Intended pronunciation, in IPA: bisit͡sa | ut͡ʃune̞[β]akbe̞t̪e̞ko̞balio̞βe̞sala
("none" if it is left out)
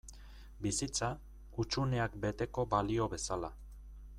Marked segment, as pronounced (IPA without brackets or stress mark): none